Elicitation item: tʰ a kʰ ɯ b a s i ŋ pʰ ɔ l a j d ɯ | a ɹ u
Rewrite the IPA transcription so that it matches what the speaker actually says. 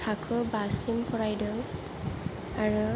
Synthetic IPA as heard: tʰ a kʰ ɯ b a s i m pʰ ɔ ɹ a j d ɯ | a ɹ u